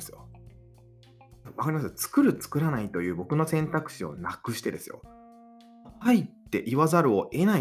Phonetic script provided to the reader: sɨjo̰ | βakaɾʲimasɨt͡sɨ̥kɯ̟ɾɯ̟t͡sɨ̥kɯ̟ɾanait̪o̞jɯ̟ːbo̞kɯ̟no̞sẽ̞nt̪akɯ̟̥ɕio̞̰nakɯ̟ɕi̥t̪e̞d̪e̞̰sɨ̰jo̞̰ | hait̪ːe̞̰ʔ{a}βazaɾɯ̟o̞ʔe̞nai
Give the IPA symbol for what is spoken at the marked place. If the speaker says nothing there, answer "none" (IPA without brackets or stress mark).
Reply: i